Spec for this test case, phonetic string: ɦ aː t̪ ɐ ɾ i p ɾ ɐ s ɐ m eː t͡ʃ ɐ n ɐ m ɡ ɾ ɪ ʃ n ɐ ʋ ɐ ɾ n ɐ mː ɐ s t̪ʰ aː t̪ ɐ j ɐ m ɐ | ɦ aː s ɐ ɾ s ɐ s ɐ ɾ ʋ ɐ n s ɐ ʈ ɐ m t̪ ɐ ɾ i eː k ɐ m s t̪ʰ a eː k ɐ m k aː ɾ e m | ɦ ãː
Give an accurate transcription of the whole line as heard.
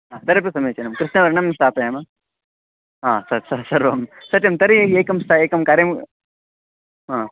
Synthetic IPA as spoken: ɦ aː t̪ ɐ ɾ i p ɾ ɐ s ɐ m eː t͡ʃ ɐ n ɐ m k ɾ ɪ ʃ n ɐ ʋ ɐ ɾ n ɐ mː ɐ s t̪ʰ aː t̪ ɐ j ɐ m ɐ | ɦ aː s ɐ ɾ s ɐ s ɐ ɾ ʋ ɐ m s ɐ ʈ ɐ m t̪ ɐ ɾ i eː k ɐ m s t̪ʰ a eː k ɐ m k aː ɾ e m | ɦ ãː